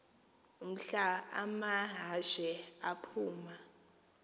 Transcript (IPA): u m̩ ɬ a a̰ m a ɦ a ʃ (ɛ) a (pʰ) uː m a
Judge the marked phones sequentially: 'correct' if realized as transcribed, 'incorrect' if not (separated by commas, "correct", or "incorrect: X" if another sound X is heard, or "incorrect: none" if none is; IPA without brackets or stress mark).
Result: correct, correct